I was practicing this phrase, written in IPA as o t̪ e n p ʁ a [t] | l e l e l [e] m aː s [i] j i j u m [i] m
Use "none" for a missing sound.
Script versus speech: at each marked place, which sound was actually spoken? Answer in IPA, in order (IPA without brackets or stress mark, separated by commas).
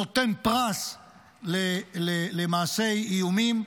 s, e, e, i